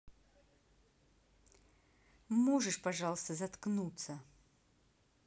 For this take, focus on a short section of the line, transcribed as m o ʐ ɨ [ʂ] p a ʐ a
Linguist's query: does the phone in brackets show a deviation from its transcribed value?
no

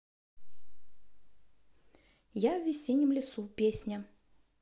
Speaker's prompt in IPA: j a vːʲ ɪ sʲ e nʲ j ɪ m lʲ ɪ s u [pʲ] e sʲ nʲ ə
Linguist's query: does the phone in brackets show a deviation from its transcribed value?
no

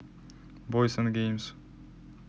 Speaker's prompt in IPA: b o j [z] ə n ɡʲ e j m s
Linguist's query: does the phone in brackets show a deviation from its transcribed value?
yes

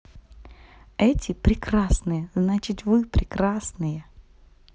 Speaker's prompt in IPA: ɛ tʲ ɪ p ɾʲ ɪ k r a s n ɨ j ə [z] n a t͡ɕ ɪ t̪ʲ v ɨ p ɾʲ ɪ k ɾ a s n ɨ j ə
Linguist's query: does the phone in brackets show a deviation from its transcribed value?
no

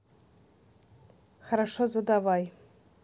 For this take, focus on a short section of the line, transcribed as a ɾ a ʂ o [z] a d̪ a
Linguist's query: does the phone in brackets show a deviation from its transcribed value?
no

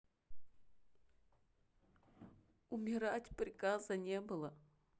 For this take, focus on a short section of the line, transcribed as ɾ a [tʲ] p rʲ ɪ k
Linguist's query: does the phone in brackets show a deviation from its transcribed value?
no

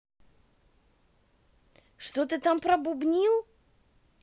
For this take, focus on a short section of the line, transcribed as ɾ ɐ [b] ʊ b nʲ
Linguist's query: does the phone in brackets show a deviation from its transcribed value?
no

